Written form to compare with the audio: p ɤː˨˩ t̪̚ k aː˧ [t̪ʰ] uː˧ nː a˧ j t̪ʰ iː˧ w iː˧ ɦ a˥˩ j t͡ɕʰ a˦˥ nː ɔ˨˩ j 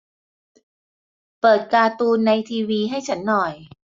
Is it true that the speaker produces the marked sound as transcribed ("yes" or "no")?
no